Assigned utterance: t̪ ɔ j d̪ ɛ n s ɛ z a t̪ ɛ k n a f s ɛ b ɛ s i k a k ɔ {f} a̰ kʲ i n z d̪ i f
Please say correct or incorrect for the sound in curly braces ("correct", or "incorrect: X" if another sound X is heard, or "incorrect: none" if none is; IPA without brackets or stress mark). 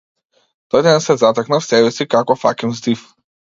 correct